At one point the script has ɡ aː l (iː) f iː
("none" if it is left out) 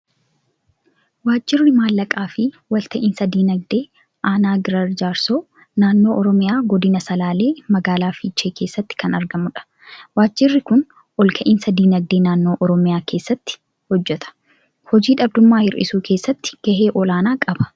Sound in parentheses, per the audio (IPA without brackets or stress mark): aː